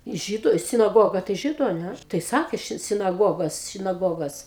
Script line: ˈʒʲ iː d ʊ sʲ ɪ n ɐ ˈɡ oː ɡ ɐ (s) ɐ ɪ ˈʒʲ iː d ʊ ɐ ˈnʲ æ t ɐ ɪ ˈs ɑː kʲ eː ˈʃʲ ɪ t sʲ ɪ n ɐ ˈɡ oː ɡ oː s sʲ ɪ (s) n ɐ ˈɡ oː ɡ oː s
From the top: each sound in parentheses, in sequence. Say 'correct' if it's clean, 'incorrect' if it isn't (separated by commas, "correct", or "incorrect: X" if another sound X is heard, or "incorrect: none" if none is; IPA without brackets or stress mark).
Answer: incorrect: t, incorrect: none